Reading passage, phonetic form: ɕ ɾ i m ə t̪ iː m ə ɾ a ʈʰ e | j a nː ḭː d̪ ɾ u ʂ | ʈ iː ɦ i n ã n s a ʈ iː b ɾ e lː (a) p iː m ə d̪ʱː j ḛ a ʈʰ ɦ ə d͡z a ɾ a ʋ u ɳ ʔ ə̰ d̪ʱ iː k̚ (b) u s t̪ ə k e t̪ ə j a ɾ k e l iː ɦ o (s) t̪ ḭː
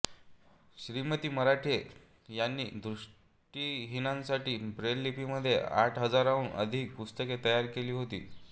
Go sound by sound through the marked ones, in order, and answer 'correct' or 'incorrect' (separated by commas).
incorrect, incorrect, incorrect